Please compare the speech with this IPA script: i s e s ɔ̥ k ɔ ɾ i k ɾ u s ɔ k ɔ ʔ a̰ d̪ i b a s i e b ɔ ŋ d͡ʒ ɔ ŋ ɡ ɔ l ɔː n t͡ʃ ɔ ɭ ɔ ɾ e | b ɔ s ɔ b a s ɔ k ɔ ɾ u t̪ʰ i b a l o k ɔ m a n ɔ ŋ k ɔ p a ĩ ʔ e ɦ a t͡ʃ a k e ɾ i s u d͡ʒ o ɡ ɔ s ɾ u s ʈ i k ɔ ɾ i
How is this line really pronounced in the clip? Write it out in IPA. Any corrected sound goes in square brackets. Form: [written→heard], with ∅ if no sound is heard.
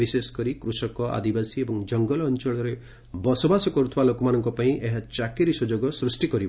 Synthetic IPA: i s e s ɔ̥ k ɔ ɾ i k ɾ u s ɔ k ɔ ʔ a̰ d̪ i b a s i e b ɔ ŋ d͡ʒ ɔ ŋ ɡ ɔ l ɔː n t͡ʃ ɔ ɭ ɔ ɾ e | b ɔ s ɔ b a s ɔ k ɔ ɾ u t̪ʰ i b a l o k ɔ m a n ɔ ŋ k ɔ p a ĩ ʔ e ɦ a t͡ʃ a k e ɾ i s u d͡ʒ o ɡ ɔ s ɾ u s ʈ i k ɔ ɾ i